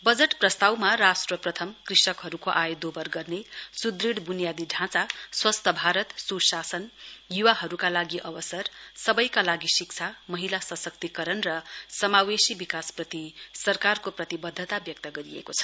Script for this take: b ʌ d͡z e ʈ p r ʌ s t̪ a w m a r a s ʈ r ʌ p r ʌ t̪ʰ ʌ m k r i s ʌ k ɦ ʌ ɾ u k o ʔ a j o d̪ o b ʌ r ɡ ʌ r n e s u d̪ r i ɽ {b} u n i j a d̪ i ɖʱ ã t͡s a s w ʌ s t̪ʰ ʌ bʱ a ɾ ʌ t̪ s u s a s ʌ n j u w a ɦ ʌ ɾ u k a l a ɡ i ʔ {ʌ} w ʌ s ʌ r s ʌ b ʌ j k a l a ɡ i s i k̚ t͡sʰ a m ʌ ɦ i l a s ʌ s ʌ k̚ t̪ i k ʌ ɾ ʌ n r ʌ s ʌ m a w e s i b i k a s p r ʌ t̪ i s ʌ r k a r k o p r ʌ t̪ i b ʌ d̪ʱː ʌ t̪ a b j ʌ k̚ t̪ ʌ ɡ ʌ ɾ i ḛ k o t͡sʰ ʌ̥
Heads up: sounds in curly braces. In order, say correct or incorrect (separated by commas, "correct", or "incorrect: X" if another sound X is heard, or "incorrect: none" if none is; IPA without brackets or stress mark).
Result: correct, correct